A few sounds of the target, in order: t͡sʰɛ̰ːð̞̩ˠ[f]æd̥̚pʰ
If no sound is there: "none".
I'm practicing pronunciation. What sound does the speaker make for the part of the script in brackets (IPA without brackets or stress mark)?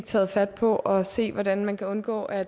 f